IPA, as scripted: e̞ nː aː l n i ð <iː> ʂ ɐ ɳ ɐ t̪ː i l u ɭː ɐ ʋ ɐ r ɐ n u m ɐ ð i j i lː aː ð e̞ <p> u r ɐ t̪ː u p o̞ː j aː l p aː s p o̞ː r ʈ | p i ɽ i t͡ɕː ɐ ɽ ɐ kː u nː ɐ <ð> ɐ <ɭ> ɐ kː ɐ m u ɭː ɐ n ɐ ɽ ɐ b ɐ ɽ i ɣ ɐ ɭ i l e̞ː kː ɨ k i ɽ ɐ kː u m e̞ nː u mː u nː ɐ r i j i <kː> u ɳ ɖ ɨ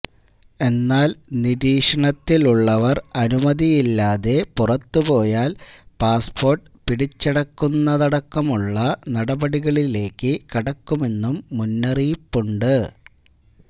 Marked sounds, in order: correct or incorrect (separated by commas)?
correct, correct, correct, incorrect, incorrect